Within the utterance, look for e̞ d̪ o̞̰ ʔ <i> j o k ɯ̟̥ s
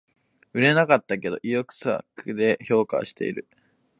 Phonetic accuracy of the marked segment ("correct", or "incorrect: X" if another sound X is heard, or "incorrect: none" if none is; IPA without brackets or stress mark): correct